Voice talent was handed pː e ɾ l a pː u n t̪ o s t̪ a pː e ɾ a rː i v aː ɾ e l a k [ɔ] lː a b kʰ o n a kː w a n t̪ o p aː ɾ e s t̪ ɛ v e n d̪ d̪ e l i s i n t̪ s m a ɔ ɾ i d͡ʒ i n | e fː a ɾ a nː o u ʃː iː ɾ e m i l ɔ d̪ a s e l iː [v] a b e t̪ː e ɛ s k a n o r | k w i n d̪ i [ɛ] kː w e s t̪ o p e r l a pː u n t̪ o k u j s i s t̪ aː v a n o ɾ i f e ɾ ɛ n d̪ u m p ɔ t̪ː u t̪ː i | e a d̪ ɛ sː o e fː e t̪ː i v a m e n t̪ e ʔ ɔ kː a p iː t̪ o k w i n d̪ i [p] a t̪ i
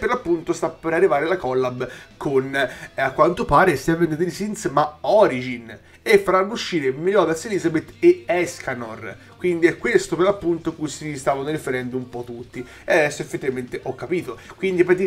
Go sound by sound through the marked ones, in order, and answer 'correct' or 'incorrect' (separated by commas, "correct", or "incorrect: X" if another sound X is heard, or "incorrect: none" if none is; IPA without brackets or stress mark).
correct, incorrect: z, correct, correct